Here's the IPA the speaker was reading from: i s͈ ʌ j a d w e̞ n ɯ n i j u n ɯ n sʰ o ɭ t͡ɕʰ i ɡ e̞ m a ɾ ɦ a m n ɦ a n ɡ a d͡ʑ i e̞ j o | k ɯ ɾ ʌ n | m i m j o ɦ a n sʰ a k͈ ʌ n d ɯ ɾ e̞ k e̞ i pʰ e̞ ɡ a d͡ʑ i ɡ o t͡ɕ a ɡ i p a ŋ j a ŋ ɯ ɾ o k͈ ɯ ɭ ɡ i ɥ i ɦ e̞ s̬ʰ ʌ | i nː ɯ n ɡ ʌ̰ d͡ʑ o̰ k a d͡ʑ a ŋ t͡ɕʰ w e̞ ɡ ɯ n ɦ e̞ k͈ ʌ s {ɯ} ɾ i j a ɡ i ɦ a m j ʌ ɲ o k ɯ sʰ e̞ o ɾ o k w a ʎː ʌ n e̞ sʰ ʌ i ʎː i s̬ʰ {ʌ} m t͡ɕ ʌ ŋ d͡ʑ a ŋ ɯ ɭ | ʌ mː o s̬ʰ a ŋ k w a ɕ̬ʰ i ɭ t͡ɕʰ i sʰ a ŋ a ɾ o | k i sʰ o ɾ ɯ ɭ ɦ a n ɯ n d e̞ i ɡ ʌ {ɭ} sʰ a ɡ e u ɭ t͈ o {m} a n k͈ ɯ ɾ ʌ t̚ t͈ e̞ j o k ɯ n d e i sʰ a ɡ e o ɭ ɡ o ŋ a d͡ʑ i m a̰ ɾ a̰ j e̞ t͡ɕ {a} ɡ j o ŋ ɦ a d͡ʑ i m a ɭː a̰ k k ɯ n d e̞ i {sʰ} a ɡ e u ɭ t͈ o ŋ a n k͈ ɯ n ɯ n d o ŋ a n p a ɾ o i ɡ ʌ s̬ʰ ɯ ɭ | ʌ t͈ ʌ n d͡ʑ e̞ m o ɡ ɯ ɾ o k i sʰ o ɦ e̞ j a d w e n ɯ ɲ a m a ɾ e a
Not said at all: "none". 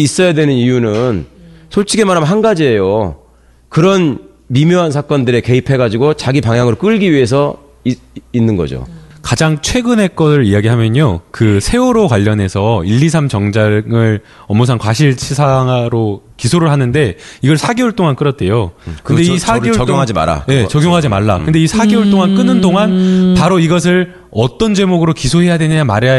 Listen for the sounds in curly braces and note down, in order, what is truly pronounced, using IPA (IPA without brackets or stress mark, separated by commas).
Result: ɯ, a, ɭ, ŋ, ʌ, sʰ